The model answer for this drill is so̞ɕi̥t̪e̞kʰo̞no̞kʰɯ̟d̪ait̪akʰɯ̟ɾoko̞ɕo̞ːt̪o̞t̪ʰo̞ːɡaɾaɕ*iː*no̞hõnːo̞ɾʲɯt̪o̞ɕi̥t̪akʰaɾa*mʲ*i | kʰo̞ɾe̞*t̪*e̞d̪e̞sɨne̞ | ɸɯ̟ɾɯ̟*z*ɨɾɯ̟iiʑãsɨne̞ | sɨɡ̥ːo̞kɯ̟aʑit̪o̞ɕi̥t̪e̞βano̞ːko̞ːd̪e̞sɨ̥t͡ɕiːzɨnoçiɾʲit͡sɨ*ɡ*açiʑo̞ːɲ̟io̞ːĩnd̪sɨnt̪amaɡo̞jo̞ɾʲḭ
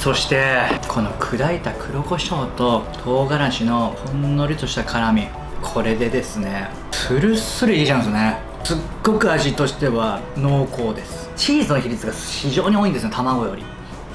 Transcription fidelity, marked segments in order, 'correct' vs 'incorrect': incorrect, correct, incorrect, incorrect, correct

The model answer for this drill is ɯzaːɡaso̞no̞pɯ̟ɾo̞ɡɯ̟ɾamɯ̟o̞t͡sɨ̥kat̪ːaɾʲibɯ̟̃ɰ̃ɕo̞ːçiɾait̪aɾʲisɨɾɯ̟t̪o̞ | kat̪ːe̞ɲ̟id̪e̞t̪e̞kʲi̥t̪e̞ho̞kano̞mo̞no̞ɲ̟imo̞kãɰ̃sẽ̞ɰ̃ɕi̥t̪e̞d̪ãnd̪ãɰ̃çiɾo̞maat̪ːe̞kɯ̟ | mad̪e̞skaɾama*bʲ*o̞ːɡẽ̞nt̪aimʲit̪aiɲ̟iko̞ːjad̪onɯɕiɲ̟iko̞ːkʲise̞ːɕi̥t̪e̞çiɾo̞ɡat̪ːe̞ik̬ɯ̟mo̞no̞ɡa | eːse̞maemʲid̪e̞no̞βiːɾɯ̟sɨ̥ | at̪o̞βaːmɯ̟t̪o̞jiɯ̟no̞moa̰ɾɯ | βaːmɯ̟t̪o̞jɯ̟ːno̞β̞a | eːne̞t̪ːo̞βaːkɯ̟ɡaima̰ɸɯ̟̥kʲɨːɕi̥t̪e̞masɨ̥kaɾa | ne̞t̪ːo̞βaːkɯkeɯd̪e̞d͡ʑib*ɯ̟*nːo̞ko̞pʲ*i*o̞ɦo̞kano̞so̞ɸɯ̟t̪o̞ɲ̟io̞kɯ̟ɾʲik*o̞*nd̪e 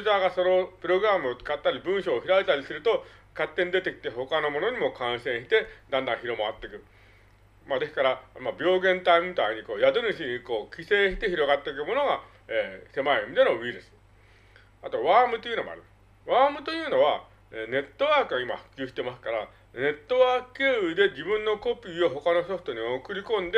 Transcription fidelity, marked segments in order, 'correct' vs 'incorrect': correct, incorrect, incorrect, incorrect

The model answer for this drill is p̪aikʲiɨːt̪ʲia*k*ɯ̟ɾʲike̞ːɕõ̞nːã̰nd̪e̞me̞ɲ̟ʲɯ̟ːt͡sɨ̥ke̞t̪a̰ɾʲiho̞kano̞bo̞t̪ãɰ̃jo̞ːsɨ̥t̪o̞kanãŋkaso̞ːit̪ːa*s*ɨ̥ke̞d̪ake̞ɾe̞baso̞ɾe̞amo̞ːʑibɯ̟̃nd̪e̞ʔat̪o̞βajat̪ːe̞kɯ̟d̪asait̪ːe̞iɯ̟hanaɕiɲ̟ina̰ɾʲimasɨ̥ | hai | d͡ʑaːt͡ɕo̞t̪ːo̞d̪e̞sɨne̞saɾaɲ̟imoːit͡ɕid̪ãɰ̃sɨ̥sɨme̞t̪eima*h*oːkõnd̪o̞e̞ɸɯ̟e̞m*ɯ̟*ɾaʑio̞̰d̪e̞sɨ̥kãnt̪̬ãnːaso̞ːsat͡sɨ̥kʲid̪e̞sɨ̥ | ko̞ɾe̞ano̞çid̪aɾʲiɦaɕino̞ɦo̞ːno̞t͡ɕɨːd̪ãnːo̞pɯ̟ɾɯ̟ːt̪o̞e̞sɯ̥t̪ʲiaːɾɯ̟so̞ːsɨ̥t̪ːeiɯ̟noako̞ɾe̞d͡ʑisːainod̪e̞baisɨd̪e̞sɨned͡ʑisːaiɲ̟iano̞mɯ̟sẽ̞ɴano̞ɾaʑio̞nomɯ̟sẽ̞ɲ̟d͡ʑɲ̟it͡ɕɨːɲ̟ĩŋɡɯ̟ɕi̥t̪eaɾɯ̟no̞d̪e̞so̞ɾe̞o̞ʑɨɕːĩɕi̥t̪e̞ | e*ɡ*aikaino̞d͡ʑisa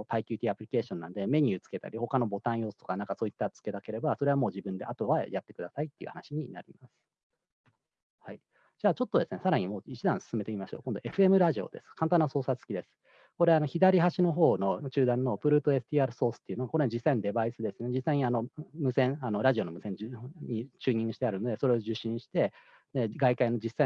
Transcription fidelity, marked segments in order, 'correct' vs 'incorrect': incorrect, incorrect, incorrect, correct, correct

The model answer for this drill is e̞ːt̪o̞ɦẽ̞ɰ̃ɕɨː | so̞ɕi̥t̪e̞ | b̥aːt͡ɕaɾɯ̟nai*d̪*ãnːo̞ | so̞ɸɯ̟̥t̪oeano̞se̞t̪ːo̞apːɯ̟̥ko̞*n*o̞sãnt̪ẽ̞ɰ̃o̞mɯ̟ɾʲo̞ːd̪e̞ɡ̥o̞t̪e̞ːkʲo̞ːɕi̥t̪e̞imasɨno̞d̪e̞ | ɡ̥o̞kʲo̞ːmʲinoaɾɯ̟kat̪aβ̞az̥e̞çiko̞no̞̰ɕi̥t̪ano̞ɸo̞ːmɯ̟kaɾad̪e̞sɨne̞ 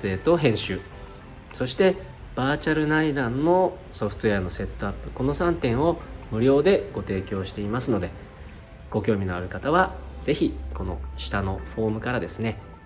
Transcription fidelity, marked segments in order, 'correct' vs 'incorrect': correct, correct

